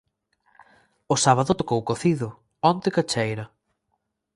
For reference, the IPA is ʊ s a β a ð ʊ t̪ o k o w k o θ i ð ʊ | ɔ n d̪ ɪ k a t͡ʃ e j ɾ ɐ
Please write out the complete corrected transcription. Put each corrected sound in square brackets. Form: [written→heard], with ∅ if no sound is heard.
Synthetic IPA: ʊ s a β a ð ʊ t̪ o k o w k o θ i ð ʊ | ɔ n [d̪→t̪] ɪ k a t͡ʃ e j ɾ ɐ